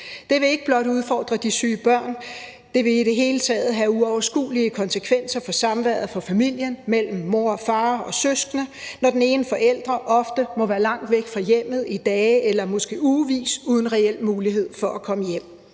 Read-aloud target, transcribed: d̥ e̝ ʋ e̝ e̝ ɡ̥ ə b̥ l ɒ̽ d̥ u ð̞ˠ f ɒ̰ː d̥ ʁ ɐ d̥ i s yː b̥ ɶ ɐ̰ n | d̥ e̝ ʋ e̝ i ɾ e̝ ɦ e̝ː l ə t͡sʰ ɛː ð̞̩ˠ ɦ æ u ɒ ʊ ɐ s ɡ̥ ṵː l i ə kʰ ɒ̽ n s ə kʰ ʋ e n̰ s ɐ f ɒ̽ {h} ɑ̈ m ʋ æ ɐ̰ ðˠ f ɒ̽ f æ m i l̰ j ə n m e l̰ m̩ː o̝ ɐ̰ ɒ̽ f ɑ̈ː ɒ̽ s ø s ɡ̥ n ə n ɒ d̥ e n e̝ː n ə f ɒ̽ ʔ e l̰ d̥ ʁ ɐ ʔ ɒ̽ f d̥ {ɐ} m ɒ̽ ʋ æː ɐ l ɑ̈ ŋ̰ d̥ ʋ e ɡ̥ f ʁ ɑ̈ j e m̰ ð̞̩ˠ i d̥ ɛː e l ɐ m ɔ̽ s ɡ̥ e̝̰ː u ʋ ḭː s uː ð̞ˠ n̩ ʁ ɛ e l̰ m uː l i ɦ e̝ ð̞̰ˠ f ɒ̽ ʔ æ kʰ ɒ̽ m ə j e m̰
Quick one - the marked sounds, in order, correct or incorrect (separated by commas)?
incorrect, incorrect